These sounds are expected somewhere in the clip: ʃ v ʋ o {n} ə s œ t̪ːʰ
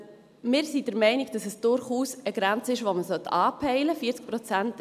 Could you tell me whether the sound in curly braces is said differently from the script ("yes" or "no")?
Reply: yes